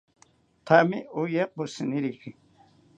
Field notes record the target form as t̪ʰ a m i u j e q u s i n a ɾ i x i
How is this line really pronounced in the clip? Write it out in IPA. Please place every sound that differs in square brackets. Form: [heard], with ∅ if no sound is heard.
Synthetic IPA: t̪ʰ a m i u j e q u s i n [i] ɾ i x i